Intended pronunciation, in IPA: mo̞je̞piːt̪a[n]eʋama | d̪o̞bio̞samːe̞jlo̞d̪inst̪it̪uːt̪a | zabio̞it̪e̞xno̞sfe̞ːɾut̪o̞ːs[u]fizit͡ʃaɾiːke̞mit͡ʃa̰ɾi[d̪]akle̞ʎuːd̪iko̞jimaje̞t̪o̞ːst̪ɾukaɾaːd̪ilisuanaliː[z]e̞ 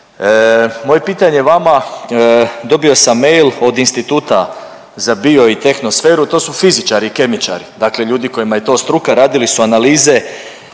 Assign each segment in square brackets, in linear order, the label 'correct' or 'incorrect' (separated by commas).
incorrect, correct, correct, correct